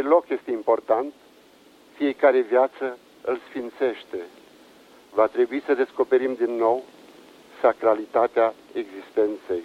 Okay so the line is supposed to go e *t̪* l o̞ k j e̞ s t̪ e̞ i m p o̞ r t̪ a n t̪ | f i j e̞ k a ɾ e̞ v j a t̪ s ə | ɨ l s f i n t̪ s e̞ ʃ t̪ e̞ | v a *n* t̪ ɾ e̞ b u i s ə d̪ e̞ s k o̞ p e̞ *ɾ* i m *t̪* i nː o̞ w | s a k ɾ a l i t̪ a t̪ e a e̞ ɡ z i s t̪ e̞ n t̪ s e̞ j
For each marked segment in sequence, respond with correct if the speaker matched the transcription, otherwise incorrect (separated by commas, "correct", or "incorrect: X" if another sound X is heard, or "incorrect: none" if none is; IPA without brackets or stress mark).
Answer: incorrect: none, incorrect: none, correct, incorrect: d̪